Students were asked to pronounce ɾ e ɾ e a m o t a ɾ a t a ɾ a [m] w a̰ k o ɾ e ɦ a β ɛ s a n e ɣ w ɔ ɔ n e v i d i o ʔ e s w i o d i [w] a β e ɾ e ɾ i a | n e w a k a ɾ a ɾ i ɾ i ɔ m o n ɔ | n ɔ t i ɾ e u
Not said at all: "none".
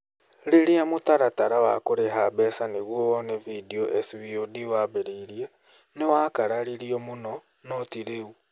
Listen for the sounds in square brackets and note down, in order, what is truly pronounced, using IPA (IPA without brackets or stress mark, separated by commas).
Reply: none, w